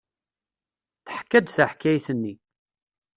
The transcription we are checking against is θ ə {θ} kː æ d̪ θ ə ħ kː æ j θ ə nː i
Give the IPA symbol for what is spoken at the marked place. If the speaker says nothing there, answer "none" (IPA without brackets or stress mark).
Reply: ħ